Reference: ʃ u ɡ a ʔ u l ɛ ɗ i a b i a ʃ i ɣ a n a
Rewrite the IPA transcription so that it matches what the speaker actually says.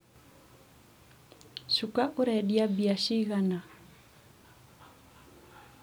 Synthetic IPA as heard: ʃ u k a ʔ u ɾ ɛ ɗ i a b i a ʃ i ɣ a n a